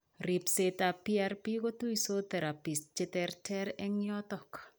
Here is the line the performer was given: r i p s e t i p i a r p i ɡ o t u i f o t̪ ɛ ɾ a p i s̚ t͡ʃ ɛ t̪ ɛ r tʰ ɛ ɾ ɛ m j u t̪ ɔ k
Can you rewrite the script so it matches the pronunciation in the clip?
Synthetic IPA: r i p s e t a p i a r p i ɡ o t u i s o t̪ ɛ ɾ a p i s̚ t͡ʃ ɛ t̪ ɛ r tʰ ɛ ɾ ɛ ŋ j ɔ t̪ ɔ k